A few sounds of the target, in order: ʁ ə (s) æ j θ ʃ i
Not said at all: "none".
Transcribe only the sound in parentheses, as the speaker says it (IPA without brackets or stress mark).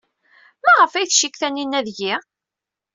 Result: f